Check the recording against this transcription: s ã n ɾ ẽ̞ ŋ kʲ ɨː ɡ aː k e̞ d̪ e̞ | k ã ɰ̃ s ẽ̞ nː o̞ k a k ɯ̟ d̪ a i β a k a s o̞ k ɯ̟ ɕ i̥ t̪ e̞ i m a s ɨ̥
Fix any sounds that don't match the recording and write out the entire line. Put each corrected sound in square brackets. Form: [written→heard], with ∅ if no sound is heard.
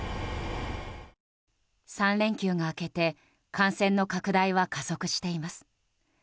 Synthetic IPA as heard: s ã n ɾ ẽ̞ ŋ kʲ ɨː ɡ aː k e̞ [d̪→t̪] e̞ | k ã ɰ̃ s ẽ̞ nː o̞ k a k ɯ̟ d̪ a i β a k a s o̞ k ɯ̟ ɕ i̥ t̪ e̞ i m a s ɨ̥